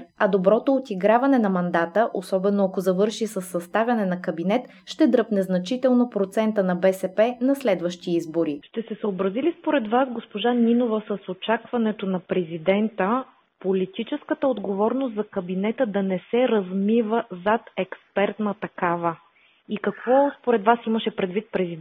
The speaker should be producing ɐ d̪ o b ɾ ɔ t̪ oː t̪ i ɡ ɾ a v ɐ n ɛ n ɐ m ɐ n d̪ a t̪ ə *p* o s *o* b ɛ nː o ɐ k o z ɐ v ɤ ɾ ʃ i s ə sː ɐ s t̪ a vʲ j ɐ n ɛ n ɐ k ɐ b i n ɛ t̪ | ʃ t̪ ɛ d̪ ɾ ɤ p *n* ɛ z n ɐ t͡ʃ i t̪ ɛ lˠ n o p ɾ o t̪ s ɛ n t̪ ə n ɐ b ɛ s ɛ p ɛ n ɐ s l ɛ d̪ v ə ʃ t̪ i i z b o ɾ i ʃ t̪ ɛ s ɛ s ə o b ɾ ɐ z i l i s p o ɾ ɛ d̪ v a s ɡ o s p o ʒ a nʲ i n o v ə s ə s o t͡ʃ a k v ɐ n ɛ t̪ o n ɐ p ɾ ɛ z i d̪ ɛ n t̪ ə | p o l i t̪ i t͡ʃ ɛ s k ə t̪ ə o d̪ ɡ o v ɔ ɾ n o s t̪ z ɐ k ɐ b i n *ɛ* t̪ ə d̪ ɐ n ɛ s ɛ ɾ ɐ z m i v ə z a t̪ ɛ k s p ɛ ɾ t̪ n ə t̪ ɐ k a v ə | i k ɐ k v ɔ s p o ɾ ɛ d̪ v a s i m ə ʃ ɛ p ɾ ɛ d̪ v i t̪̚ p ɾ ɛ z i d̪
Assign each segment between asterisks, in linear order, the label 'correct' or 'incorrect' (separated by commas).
incorrect, incorrect, correct, correct